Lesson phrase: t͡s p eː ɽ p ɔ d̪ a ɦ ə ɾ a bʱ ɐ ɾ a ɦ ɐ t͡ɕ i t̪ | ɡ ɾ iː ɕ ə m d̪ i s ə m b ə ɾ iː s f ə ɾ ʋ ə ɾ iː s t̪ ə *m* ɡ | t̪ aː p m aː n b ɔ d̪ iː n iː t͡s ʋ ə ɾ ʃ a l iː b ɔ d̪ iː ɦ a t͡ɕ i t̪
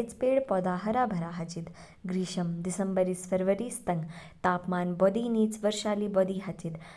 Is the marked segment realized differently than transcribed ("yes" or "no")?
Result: yes